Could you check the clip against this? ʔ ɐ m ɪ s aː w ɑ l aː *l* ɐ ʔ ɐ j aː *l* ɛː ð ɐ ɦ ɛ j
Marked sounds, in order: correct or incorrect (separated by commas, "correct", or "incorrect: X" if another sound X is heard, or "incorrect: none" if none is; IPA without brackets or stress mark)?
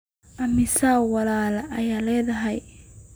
correct, correct